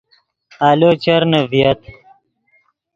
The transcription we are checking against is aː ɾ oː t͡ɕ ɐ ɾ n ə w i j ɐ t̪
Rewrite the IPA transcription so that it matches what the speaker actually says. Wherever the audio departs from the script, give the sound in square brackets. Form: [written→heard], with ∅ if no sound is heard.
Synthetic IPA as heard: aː [ɾ→l] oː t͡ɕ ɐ ɾ n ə [w→v] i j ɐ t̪